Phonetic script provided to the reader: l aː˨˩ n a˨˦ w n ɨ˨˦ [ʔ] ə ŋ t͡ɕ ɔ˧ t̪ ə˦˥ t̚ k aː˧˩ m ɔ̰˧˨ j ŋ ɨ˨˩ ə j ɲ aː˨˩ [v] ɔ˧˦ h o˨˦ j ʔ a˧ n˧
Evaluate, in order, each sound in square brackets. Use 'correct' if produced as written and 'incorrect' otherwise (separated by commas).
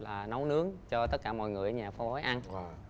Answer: incorrect, incorrect